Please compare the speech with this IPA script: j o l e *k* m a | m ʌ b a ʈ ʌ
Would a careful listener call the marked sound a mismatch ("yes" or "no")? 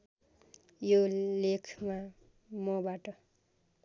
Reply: yes